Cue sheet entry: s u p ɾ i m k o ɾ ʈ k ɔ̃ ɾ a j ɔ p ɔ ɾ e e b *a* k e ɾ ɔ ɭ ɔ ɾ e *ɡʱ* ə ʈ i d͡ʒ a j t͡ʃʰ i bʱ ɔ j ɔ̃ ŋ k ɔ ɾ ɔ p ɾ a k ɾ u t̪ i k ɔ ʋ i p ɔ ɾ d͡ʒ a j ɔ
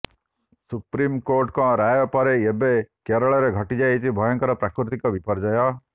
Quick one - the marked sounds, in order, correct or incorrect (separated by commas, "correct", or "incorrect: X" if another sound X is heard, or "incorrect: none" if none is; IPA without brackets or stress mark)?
incorrect: e, correct